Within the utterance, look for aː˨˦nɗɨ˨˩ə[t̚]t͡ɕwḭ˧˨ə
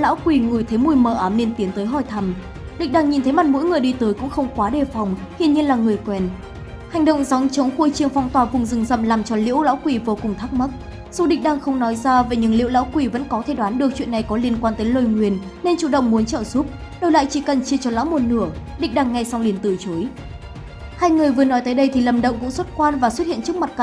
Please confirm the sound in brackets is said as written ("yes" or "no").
no